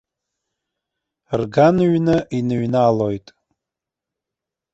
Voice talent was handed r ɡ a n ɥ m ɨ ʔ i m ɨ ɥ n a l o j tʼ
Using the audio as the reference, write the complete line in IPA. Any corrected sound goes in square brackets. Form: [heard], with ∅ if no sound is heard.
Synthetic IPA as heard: r ɡ a n ɥ [n] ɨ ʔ i [n] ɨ ɥ n a l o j tʼ